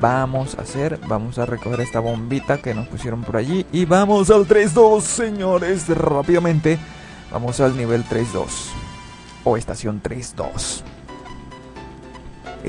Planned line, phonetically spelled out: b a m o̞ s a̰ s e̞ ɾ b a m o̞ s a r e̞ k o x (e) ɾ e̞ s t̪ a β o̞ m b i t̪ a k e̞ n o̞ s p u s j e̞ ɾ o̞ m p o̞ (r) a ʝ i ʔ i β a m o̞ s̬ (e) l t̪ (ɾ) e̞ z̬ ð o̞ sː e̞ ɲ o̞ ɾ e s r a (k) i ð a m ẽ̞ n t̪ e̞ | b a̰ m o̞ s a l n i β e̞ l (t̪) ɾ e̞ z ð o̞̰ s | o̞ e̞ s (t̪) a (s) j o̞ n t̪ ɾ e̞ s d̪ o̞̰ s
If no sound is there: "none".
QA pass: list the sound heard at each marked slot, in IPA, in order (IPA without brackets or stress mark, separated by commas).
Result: e, ɾ, a, ɾ, p, t̪, t̪, s